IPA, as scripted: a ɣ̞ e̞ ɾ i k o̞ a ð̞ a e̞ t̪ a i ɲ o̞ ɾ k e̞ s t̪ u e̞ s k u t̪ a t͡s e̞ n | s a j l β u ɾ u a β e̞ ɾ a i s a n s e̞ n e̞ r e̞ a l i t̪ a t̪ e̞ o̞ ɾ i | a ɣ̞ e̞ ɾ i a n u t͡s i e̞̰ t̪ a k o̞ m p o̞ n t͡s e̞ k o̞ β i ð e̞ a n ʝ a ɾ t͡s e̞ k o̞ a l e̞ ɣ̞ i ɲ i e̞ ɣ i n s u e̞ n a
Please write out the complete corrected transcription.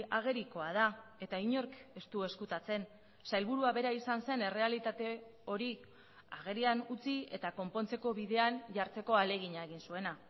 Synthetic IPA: a ɣ̞ e̞ ɾ i k o̞ a ð̞ a e̞ t̪ a i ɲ o̞ ɾ k e̞ s t̪ u e̞ s k u t̪ a t͡s e̞ n | s a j l β u ɾ u a β e̞ ɾ a i s a n s e̞ n e̞ r e̞ a l i t̪ a t̪ e̞ o̞ ɾ i | a ɣ̞ e̞ ɾ i a n u t͡s i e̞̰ t̪ a k o̞ m p o̞ n t͡s e̞ k o̞ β i ð e̞ a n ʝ a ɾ t͡s e̞ k o̞ a l e̞ ɣ̞ i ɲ a e̞ ɣ i n s u e̞ n a